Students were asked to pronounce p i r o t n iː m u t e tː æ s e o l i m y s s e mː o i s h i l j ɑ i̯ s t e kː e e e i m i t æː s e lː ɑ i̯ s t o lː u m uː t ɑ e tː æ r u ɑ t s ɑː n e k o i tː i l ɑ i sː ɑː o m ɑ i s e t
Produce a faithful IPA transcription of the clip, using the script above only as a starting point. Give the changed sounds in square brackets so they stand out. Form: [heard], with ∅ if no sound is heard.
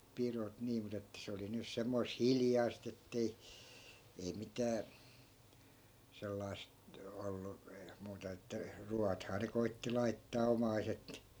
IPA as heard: p i r o t n iː m u t e tː æ s e o l i [n] y s s e mː o i s h i l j ɑ i̯ s t e [tː] e [i] e i m i t æː s e lː ɑ i̯ s t o lː u m uː t ɑ e tː æ r u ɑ t [h] ɑː n e k o i tː i l ɑ i [tː] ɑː o m ɑ i s e t